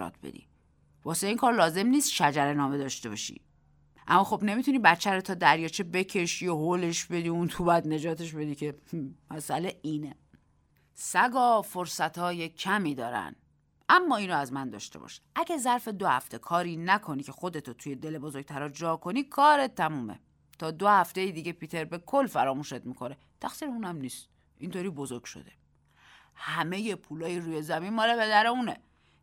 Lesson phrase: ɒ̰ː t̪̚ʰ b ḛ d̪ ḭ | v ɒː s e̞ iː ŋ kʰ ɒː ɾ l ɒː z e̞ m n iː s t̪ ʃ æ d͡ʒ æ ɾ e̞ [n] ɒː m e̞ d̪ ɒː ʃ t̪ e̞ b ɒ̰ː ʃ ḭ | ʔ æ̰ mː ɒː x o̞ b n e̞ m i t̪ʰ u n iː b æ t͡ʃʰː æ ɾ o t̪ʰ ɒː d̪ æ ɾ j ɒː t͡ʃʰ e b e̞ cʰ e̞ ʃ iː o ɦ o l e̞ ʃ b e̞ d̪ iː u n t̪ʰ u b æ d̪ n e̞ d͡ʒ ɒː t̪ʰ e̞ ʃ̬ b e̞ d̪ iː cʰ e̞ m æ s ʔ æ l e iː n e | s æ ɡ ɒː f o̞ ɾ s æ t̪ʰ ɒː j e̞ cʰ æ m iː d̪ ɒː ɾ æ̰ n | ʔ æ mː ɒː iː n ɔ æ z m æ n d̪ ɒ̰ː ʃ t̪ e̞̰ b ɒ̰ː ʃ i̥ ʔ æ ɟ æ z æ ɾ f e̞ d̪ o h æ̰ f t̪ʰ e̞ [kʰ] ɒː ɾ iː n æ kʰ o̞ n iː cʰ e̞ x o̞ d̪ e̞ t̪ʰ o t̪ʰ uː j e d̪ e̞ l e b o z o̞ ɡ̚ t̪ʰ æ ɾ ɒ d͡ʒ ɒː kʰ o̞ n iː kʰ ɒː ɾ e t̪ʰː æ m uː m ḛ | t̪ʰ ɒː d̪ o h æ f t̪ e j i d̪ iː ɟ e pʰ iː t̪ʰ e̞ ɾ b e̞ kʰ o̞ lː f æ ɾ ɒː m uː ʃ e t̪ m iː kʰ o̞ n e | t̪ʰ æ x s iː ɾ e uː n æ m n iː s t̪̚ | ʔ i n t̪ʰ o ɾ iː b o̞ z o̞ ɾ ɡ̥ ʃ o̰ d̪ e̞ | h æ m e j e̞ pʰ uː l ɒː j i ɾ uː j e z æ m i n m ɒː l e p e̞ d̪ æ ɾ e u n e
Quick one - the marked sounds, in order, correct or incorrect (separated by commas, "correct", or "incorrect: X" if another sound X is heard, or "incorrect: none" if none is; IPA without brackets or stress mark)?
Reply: correct, correct